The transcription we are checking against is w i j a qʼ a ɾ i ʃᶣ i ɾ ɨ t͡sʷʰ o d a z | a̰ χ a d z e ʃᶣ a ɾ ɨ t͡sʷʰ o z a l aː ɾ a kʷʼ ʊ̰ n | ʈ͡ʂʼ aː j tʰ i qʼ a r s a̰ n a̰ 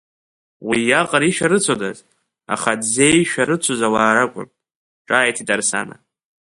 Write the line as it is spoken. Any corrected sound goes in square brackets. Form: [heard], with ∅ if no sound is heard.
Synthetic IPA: w i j a qʼ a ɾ i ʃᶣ [a] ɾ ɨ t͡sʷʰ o d a z | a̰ χ a d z e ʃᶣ a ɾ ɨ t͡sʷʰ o z a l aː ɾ a kʷʼ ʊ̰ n | ʈ͡ʂʼ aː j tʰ i [tʼ] a r s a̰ n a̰